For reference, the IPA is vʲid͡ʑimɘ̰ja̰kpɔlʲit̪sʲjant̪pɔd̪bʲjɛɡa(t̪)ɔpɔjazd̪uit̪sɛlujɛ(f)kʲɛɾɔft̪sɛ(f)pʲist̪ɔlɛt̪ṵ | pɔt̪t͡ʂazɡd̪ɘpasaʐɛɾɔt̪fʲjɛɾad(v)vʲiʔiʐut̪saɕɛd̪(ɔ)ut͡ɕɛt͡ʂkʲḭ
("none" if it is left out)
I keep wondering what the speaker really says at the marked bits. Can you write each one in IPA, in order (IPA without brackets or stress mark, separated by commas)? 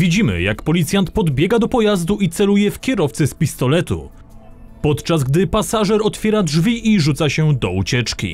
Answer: d̪, f, s, ʐ, ɔ